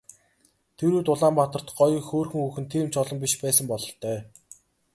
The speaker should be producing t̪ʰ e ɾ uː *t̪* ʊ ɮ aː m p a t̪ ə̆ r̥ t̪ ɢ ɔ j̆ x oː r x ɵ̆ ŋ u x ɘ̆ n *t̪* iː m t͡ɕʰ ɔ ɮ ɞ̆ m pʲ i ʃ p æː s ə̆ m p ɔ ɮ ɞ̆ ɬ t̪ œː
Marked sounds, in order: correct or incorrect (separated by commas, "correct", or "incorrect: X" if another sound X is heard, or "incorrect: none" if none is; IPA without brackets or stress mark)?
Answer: correct, incorrect: t̪ʰ